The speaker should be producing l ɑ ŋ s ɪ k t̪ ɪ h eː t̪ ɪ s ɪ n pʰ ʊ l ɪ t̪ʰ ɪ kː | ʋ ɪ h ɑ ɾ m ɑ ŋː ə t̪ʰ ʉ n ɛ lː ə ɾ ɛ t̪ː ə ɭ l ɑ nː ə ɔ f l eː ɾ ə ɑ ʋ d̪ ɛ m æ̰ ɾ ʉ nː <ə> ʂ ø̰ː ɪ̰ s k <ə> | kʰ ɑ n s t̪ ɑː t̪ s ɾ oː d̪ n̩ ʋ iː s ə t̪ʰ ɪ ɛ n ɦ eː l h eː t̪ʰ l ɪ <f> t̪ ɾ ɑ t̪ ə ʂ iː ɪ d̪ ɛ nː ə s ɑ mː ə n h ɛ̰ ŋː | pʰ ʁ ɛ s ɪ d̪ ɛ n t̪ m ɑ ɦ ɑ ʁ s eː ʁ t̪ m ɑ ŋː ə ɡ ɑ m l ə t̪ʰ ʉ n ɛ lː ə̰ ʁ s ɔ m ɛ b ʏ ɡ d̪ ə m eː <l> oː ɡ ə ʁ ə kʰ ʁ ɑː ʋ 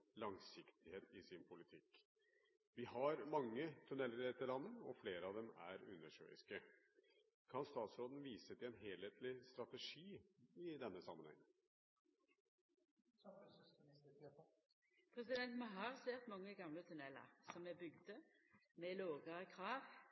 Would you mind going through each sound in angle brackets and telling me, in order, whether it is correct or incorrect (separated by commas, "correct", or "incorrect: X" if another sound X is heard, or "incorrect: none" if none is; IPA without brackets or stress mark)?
correct, correct, incorrect: s, correct